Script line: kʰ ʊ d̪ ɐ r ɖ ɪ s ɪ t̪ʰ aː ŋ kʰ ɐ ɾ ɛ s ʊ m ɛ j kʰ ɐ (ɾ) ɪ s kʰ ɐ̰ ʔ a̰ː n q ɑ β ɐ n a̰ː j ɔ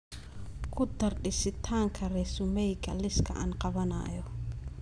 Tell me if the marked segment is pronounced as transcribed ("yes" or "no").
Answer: no